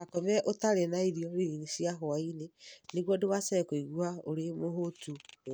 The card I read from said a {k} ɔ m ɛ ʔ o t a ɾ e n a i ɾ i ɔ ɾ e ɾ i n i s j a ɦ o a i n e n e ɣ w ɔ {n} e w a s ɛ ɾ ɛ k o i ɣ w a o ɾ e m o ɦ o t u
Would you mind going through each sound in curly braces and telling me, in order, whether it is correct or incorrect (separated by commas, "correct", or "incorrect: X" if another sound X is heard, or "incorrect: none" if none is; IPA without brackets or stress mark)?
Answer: correct, incorrect: d